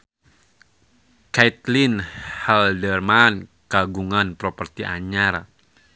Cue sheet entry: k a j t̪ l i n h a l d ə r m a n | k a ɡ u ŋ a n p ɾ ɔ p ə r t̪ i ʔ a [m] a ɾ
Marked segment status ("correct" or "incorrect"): incorrect